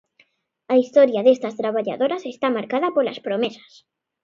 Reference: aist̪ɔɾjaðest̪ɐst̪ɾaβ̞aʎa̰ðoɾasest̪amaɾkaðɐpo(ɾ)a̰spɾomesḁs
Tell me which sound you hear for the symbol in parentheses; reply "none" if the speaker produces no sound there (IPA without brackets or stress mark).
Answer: l